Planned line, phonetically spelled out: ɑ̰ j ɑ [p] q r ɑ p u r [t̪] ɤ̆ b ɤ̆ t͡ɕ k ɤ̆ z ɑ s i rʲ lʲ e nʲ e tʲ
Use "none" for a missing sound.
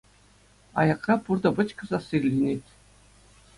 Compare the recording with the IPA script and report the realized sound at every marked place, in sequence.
none, d̪

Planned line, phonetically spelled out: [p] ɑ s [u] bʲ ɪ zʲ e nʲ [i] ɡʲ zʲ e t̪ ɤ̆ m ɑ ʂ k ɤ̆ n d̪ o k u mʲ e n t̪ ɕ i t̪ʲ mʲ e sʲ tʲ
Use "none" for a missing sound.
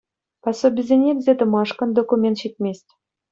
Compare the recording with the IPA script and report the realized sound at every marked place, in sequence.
p, o, e

